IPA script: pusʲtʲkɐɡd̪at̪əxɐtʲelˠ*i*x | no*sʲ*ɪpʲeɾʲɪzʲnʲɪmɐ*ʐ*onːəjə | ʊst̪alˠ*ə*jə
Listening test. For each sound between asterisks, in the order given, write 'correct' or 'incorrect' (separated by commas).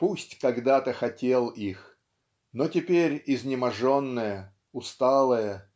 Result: correct, incorrect, correct, correct